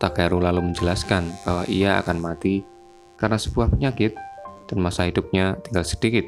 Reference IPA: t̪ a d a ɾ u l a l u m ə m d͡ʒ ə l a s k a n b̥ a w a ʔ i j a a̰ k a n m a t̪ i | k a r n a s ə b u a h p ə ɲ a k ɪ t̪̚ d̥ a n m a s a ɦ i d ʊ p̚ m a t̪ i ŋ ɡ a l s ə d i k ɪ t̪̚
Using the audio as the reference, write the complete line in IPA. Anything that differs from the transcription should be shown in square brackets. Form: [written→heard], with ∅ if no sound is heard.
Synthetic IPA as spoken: t̪ a [d→ɡ] a ɾ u l a l u m ə [m→ɲ] d͡ʒ ə l a s k a n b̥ a w a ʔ i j a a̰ k a n m a t̪ i | k a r n a s ə b u a h p ə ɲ a k ɪ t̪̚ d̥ a n m a s a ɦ i d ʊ p̚ [m→ɲ] a t̪ i ŋ ɡ a l s ə d i k ɪ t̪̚